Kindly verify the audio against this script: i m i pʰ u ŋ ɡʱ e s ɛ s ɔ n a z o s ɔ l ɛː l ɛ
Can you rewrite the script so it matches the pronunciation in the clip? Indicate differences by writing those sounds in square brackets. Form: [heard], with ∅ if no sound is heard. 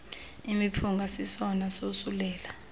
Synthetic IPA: i m i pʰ u ŋ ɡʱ [a] s [i] s ɔ n a [s] o s [u] l ɛː l [a]